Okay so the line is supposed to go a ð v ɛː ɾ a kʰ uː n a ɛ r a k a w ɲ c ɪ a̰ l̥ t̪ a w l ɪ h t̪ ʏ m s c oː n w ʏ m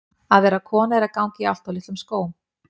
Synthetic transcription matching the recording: a ð v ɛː ɾ a kʰ ɔː n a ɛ ɾ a k a w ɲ c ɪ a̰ l̥ t̪ a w l ɪ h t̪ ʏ m s k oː w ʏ m